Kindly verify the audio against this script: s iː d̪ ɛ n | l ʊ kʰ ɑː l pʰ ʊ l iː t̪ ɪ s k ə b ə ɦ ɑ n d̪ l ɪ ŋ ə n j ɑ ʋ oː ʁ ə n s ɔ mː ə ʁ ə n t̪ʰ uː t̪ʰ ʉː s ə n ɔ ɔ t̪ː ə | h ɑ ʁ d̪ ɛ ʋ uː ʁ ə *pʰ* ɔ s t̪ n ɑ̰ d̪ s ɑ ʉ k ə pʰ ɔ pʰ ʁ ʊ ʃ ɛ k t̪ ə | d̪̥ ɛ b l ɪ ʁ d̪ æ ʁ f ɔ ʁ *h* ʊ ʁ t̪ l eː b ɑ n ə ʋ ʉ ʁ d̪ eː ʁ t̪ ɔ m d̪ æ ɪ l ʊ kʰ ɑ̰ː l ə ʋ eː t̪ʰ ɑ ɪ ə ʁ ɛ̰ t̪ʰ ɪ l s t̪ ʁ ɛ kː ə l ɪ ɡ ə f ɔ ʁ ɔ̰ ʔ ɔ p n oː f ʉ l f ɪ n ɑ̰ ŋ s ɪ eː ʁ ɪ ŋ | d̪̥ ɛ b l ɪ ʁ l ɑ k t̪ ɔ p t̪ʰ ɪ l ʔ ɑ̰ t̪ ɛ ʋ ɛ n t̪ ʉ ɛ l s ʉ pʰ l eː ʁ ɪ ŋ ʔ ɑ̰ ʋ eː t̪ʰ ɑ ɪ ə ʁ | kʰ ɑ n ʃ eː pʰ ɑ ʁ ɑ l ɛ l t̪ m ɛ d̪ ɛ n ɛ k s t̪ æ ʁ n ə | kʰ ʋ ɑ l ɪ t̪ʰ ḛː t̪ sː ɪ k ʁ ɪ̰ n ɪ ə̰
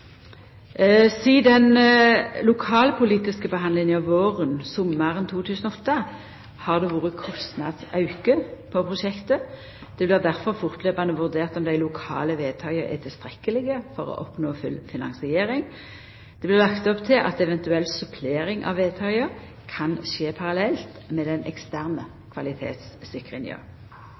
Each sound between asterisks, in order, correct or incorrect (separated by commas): incorrect, incorrect